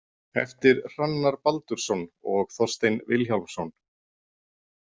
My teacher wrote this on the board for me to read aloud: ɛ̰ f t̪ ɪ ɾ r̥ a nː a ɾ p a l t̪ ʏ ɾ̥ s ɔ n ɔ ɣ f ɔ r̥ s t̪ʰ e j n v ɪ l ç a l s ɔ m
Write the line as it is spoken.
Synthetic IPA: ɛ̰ f t̪ ɪ ɾ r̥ a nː a ɾ p a l t̪ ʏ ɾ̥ s ɔ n ɔ ɣ θ ɔ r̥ s t̪ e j n v ɪ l ç a l s ɔ n